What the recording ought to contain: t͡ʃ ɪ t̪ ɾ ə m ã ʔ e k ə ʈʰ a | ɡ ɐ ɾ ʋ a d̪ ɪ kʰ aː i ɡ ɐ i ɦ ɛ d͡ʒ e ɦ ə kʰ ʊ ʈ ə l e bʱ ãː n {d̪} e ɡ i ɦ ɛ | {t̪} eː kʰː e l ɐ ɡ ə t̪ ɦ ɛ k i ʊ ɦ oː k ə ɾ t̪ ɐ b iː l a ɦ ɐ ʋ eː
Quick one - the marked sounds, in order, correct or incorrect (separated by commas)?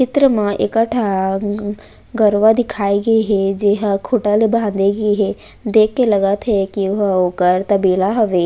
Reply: correct, incorrect